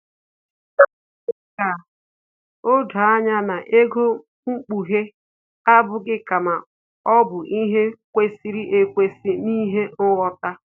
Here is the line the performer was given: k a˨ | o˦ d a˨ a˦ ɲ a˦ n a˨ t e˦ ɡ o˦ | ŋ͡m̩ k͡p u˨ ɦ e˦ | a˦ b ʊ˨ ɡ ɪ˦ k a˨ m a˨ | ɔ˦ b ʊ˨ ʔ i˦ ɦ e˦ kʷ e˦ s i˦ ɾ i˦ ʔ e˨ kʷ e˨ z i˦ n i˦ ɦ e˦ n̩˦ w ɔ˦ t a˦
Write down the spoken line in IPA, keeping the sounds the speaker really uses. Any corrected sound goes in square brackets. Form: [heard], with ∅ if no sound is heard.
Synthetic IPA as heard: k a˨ | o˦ d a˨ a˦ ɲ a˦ n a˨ [ʔ] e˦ ɡ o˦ | ŋ͡m̩ k͡p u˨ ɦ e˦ | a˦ b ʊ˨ ɡ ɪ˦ k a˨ m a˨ | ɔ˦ b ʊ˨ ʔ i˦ ɦ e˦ kʷ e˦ s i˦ ɾ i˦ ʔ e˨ kʷ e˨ [s] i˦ n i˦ ɦ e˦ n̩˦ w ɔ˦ t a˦